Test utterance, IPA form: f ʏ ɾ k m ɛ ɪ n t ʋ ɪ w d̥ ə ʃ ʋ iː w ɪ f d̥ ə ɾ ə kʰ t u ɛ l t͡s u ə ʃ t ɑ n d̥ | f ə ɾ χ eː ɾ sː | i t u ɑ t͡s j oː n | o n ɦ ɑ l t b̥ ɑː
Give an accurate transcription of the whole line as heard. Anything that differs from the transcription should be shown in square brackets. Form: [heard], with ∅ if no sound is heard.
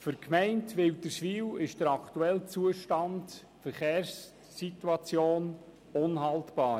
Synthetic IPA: f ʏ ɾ k m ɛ ɪ n t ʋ ɪ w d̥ ə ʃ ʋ iː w ɪ [ʃ] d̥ ə ɾ [ɑ] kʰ t u ɛ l t͡s u ə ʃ t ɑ n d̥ | f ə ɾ χ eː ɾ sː | i t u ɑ t͡s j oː n | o n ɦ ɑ l t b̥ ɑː

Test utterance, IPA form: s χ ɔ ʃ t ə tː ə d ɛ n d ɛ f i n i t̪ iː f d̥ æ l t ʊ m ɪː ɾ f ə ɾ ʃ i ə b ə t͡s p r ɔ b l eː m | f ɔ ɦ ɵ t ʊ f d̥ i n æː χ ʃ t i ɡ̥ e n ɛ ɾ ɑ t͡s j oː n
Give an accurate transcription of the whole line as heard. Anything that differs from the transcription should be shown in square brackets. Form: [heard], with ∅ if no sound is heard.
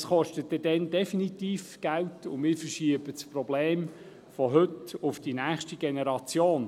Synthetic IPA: s χ ɔ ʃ t ə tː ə d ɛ n d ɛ f i n i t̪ iː f [ɡ̥] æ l t ʊ m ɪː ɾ f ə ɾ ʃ i ə b ə t͡s p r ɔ b l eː m | f ɔ ɦ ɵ t ʊ f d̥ i n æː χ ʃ t i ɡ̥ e n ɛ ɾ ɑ t͡s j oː n

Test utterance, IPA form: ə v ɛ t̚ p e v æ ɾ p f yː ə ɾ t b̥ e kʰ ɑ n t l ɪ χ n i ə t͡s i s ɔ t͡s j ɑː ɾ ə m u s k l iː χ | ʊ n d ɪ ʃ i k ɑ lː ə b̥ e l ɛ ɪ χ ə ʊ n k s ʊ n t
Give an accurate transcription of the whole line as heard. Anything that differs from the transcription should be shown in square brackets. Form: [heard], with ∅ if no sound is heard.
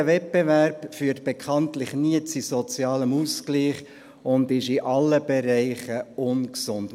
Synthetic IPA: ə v ɛ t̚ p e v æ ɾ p f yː ə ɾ t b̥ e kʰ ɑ n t l ɪ χ n i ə t͡s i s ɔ t͡s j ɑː [l] ə m u s k l iː χ | ʊ n d ɪ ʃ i [ʔ] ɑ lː ə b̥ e [ɾ] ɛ ɪ χ ə ʊ n k s ʊ n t

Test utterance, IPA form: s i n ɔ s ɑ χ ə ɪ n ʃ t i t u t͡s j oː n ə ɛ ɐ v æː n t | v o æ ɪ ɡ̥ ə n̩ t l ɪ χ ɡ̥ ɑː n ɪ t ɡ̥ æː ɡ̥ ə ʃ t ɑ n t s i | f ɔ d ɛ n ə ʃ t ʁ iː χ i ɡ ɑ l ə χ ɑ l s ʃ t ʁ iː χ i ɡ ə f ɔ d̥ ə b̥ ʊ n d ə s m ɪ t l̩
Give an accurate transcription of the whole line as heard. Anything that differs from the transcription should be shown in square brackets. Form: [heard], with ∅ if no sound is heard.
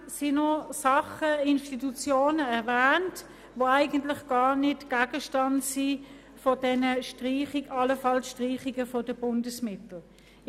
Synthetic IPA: s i n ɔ s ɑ χ ə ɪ n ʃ t i t u t͡s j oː n ə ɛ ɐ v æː n t | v o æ ɪ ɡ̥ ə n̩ t l ɪ χ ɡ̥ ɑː n ɪ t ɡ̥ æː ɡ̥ ə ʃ t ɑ n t s i | f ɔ d ɛ n ə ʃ t ʁ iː χ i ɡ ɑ l ə [f] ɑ l s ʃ t ʁ iː χ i ɡ ə f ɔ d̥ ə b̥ ʊ n d ə s m ɪ t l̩

